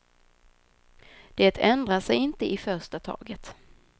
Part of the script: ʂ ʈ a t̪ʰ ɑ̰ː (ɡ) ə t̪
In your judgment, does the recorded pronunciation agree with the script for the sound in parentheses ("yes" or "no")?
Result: yes